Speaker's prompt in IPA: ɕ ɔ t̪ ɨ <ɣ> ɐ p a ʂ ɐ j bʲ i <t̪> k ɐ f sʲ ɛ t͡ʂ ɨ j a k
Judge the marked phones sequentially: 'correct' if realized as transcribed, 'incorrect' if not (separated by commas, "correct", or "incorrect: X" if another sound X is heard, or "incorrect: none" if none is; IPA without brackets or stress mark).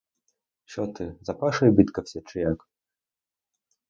incorrect: z, correct